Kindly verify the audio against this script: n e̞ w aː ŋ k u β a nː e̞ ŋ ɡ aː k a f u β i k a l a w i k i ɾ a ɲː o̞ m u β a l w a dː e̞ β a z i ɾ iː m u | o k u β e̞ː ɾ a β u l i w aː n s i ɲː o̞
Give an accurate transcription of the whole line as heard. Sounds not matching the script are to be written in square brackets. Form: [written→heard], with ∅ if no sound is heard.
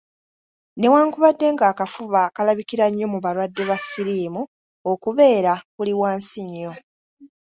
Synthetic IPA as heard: n e̞ w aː ŋ k u β a [nː→dː] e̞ ŋ ɡ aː k a f u β [i→a] k a l a [w→β] i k i ɾ a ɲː o̞ m u β a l w a dː e̞ β a [z→s] i ɾ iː m u | o k u β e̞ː ɾ a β u l i w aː n s i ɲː o̞